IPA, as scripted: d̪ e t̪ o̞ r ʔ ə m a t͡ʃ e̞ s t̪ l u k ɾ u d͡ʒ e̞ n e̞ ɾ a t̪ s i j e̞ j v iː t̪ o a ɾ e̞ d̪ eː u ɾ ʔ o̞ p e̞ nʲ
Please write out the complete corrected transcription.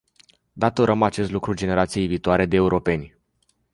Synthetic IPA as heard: d̪ a t̪ o̞ ɾ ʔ ə m a t͡ʃ e̞ s t̪ l u k ɾ u d͡ʒ e̞ n e̞ ɾ a t̪ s i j e̞ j v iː t̪ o a ɾ e̞ d̪ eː u ɾ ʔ o̞ p e̞ nʲ